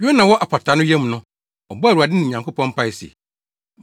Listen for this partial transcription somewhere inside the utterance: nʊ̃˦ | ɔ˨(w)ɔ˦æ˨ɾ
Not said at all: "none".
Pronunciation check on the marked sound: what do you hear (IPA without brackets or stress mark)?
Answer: b